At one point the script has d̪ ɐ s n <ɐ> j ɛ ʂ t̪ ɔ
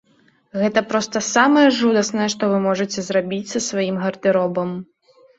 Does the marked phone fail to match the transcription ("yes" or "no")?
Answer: no